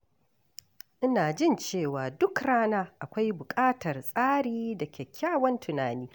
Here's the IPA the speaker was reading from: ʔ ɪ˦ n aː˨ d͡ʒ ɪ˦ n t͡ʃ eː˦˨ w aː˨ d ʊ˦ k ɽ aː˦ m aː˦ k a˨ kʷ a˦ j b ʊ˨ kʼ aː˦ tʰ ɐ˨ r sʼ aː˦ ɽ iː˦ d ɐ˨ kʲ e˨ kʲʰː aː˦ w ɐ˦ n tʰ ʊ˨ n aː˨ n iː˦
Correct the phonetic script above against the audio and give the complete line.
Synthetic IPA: ʔ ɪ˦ n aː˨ d͡ʒ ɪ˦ n t͡ʃ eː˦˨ w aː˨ d ʊ˦ k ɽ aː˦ n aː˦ ʔ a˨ kʷ a˦ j b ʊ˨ kʼ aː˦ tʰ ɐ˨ r sʼ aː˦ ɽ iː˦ d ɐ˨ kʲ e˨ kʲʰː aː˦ w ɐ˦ n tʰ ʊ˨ n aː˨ n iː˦

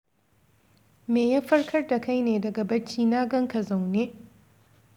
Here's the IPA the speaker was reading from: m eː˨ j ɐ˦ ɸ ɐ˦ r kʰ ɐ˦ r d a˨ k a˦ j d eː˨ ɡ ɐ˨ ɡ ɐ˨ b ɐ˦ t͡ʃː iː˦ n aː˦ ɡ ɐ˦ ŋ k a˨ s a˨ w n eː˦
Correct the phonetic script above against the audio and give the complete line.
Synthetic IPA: m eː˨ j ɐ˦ ɸ ɐ˦ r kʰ ɐ˦ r d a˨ k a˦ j n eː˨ d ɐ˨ ɡ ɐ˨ b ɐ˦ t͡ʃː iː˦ n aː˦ ɡ ɐ˦ ŋ k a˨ z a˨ w n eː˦

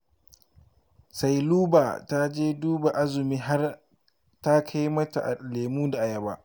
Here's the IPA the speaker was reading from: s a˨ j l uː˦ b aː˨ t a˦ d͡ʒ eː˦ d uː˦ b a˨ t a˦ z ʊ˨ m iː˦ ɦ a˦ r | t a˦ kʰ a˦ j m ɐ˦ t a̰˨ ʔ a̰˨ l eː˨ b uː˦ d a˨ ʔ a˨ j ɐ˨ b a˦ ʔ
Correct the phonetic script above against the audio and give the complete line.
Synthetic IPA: s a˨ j l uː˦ b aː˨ t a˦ d͡ʒ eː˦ d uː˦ b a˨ ʔ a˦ z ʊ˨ m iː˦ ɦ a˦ r | t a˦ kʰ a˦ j m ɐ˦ t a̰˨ ʔ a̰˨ l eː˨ m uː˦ d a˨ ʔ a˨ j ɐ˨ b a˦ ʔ

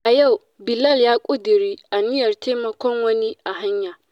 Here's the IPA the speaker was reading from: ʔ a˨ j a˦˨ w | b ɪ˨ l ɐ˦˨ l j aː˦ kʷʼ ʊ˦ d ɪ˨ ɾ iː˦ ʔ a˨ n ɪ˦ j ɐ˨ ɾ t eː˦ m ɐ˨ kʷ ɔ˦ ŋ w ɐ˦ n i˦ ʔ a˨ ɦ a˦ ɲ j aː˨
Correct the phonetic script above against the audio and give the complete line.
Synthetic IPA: ʔ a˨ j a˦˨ w | b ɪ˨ l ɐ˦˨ l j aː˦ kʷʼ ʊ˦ d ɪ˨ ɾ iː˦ ʔ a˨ n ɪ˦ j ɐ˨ r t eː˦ m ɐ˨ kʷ ɔ˦ ŋ w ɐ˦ n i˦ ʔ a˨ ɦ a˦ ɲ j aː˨

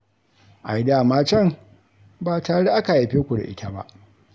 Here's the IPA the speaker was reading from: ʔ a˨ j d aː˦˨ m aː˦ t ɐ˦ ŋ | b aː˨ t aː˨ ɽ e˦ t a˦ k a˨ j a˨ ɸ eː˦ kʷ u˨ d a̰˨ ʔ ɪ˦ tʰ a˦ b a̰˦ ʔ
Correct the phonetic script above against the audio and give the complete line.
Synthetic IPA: ʔ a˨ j d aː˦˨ m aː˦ t͡ʃ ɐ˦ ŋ | b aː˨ t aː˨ ɽ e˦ ʔ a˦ k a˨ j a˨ ɸ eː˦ kʷ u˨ d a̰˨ ʔ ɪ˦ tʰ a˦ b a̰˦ ʔ

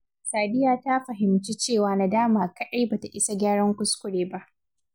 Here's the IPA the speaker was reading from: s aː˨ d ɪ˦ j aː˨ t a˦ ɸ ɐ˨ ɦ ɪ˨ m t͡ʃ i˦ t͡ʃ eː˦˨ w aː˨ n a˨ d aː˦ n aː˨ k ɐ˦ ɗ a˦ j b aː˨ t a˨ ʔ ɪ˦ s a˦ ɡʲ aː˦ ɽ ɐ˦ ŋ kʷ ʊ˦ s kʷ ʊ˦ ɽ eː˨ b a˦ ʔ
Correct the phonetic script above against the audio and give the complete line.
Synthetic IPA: s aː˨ d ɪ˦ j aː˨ t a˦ ɸ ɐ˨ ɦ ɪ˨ m t͡ʃ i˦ t͡ʃ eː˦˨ w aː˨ n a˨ d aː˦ m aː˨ k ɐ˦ ɗ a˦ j b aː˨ t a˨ ʔ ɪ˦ s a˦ ɡʲ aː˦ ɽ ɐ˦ ŋ kʷ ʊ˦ s kʷ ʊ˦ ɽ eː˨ b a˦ ʔ

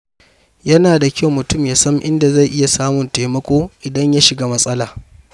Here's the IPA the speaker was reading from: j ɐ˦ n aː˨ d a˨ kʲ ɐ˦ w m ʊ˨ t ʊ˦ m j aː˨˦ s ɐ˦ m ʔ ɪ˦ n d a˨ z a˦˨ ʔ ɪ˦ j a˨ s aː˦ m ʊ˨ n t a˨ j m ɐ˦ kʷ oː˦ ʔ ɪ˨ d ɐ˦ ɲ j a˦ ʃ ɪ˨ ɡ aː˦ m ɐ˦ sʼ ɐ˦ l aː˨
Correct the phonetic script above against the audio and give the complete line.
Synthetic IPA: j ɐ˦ n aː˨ d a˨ kʲ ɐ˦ w m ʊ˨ t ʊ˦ m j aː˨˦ s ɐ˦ m ʔ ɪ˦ n d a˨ z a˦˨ ʔ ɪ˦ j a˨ s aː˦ m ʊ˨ n t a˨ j m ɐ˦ kʷ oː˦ ʔ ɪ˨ d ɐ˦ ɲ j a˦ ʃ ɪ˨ ɡ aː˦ m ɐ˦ sʼ ɐ˦ l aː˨

